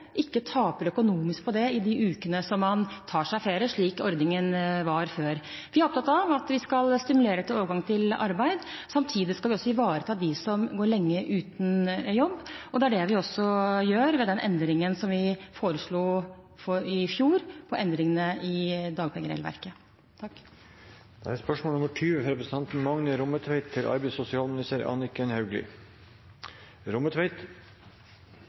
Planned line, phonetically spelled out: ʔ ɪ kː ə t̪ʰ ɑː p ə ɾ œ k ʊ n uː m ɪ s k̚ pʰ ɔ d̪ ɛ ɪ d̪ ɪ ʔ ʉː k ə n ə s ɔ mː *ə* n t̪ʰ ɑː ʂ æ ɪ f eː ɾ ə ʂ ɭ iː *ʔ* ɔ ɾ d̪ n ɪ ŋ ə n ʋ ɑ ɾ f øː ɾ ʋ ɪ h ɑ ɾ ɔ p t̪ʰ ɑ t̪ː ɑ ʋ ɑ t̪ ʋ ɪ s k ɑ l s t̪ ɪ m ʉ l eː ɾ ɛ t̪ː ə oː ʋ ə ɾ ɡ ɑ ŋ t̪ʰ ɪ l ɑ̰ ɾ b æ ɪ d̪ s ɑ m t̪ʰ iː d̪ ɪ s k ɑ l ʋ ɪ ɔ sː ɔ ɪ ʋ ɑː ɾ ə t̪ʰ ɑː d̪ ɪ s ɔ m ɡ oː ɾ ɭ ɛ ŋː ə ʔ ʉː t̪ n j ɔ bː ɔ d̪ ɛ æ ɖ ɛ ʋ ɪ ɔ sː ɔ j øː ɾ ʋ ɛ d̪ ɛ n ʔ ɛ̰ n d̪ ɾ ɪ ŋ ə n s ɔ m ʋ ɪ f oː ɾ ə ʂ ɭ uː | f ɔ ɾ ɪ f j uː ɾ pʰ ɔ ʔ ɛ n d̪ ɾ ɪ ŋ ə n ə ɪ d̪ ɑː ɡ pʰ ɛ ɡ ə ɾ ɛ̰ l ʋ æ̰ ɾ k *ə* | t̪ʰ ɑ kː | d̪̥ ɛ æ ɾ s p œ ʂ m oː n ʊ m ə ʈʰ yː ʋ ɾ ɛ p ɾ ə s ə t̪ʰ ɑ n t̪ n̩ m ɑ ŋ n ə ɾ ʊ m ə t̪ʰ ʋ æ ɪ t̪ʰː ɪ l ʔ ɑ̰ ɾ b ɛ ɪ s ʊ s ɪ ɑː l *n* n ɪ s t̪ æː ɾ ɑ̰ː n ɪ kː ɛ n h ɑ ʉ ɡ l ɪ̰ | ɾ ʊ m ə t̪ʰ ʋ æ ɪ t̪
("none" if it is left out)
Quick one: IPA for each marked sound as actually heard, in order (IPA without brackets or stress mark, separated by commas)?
ɑ, k, ə, m